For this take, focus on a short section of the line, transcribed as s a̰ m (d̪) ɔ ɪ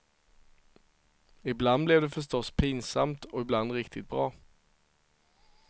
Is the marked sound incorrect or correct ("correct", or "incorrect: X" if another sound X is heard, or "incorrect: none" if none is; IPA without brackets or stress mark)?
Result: incorrect: t̪